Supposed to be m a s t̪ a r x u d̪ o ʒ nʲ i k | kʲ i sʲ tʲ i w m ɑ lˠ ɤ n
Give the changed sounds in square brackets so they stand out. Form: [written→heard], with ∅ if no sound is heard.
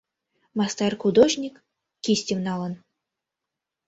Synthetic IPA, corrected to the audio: m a s t̪ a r x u d̪ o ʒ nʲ i k | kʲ i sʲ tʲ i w [m→n] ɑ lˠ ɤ n